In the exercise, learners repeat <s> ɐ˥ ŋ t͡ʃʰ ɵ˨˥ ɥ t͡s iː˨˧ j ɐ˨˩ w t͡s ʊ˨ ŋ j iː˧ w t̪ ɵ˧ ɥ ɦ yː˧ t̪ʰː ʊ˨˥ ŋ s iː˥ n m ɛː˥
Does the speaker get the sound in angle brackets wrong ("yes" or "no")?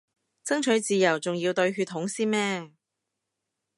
yes